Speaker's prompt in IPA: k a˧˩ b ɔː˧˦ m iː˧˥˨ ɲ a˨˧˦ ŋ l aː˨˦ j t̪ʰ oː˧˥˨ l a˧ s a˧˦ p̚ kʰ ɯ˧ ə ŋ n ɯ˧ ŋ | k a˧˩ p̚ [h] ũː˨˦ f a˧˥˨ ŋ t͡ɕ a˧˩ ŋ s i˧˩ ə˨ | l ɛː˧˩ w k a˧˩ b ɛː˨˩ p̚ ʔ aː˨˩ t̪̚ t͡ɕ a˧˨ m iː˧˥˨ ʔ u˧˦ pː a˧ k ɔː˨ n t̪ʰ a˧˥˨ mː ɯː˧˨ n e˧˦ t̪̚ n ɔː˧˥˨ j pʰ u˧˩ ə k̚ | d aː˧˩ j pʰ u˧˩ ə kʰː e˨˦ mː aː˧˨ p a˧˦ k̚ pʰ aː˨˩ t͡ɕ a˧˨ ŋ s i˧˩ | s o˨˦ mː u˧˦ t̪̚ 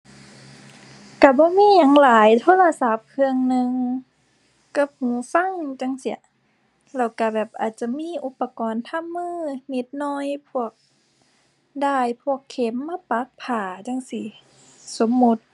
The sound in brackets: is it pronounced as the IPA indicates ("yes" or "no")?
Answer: yes